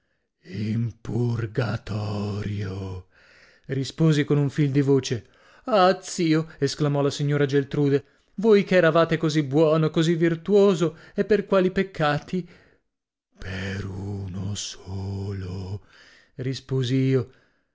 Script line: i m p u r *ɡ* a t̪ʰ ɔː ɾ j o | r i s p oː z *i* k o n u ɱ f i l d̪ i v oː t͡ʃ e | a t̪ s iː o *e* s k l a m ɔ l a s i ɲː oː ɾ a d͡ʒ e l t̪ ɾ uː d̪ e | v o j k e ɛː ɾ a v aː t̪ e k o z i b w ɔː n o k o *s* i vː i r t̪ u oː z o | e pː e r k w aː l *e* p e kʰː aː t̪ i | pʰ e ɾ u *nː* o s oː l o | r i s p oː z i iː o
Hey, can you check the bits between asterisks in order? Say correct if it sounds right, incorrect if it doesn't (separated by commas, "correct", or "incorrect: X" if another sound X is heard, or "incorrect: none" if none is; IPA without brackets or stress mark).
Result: correct, correct, correct, incorrect: z, incorrect: i, incorrect: n